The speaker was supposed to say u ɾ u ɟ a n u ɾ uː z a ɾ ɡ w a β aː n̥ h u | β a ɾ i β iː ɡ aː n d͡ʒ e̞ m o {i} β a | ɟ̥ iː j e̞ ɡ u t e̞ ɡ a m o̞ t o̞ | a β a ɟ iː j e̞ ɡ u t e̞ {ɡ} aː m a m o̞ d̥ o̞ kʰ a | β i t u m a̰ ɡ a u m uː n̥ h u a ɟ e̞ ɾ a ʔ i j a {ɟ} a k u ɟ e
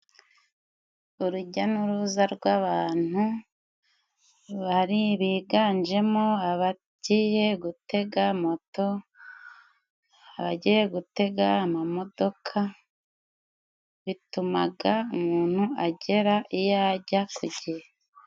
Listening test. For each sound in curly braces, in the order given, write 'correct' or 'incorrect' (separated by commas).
incorrect, correct, correct